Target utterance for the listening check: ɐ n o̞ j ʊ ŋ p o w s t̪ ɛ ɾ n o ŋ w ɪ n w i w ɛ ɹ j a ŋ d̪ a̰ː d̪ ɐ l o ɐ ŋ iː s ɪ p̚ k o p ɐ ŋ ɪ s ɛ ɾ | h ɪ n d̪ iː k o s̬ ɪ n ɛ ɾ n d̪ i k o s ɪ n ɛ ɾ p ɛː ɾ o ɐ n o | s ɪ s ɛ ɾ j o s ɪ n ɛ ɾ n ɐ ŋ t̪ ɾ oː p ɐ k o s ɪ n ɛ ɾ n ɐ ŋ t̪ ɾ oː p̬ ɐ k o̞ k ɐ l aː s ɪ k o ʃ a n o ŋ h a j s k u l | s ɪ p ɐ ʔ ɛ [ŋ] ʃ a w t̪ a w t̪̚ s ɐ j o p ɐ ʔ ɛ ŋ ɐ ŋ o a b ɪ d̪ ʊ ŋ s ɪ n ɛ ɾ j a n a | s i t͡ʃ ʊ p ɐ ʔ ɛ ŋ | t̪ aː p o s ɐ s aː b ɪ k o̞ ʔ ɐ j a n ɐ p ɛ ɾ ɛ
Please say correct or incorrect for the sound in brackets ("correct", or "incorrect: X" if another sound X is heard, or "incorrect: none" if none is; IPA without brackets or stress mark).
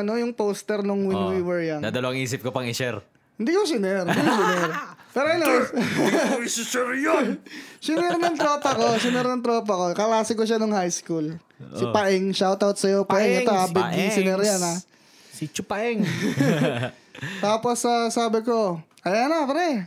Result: correct